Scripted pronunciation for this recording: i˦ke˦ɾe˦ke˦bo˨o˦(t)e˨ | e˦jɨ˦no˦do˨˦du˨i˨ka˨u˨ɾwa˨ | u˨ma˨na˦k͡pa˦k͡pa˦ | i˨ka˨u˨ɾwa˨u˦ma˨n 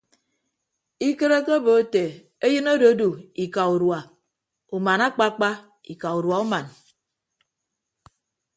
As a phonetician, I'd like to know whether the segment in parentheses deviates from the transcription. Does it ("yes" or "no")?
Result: no